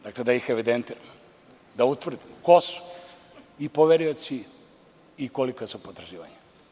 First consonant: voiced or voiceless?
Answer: voiced